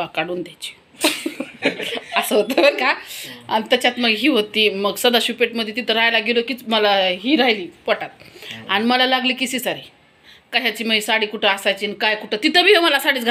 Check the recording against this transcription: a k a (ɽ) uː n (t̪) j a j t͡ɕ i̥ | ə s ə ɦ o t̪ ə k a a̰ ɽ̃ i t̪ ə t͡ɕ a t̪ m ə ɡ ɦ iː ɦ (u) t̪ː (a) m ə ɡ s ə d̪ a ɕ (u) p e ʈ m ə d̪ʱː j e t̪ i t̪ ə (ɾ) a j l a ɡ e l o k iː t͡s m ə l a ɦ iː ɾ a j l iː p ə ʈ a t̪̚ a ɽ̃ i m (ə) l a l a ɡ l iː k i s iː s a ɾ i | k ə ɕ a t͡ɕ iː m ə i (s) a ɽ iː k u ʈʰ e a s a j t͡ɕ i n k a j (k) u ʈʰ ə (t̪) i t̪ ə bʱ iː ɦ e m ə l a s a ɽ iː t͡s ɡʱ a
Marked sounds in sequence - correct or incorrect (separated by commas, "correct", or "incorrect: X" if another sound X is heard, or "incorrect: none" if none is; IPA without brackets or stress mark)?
correct, incorrect: d̪, incorrect: o, incorrect: i, correct, correct, correct, correct, correct, correct